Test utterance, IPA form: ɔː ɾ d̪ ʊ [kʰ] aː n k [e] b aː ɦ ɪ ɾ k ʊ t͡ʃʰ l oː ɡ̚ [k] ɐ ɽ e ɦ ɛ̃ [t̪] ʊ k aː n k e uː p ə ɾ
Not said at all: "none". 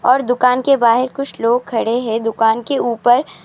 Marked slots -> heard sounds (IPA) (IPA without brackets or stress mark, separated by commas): k, e, kʰ, d̪